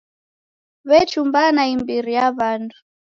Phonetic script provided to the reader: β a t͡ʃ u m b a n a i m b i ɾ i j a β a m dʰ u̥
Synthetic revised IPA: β ɛ t͡ʃ u m b a n a i m b i ɾ i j a β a n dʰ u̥